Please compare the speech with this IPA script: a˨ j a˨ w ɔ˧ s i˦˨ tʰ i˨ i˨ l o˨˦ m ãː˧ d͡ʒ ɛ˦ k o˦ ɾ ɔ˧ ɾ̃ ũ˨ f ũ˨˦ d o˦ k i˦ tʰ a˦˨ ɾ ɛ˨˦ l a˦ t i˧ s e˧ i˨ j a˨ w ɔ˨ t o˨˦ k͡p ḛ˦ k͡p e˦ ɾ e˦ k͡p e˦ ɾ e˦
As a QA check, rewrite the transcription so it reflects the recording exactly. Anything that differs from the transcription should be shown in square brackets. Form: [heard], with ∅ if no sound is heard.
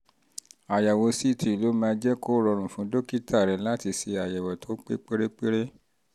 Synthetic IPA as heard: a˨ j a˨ w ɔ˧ s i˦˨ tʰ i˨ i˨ l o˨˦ m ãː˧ d͡ʒ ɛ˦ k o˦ ɾ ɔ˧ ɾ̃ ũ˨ f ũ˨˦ d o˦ k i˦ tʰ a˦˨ ɾ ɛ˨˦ l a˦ t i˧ s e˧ [a˨] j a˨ w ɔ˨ t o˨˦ k͡p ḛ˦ k͡p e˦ ɾ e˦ k͡p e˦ ɾ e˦